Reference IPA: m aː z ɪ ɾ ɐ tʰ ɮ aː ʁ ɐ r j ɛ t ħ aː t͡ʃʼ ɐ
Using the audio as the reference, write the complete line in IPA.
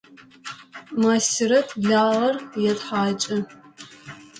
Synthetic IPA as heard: m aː s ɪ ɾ ɐ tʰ ɮ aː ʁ ɐ r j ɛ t ħ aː t͡ʃʼ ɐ